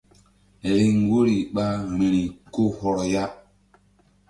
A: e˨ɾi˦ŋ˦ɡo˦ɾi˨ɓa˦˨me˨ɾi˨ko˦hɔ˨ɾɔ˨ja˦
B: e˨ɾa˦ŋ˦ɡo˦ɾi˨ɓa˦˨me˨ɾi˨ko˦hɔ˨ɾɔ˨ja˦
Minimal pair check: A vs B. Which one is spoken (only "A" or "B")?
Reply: A